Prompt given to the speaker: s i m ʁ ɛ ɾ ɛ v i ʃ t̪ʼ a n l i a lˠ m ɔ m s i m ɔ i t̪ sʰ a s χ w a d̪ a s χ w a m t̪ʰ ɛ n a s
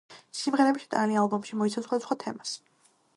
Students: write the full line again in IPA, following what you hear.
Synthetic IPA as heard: s i m ʁ ɛ ɾ ɛ b i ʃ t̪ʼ a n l i a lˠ b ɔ m ʃ i m ɔ i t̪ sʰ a s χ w a d̪ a s χ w a t̪ʰ ɛ m a s